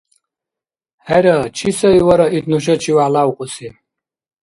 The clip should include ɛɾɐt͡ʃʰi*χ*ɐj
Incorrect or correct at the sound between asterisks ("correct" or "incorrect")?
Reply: incorrect